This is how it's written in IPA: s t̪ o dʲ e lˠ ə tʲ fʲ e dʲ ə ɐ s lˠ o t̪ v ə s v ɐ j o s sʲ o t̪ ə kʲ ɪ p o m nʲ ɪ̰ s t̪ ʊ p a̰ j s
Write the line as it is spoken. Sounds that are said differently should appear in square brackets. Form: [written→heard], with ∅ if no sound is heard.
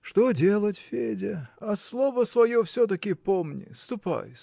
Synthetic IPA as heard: [s→ʂ] t̪ o dʲ e lˠ ə tʲ fʲ e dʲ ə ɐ s lˠ o [t̪→∅] v ə s v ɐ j o [s→f] sʲ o t̪ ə kʲ ɪ p o m nʲ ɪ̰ s t̪ ʊ p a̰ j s